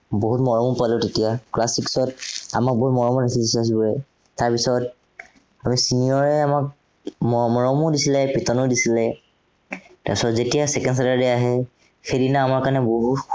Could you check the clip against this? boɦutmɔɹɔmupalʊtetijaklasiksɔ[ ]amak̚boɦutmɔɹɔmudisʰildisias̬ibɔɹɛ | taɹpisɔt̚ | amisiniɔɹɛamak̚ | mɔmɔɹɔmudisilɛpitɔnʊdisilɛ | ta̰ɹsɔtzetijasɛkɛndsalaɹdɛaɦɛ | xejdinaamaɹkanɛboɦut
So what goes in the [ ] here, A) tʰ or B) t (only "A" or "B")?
B